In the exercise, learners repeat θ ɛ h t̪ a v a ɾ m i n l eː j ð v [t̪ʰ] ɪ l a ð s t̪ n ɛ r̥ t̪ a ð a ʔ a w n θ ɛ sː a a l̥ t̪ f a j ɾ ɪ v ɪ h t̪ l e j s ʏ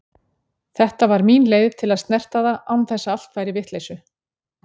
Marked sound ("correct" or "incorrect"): correct